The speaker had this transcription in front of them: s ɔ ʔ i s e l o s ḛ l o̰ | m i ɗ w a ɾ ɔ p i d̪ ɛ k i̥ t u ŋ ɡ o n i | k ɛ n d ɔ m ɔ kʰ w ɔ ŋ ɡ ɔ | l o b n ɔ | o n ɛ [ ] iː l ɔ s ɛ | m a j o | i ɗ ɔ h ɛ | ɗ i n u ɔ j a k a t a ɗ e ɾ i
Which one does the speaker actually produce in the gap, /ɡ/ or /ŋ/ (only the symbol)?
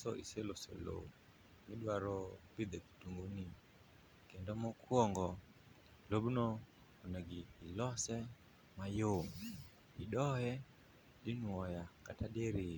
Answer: ɡ